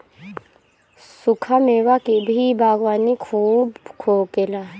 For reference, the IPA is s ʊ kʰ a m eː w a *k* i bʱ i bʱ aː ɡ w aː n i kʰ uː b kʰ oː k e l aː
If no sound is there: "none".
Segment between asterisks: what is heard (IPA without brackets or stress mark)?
k